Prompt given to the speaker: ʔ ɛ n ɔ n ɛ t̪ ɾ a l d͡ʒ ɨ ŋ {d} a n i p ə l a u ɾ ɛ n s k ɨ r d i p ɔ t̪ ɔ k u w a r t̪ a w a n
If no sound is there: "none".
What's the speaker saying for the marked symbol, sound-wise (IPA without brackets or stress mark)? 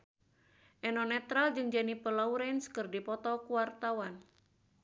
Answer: d͡ʒ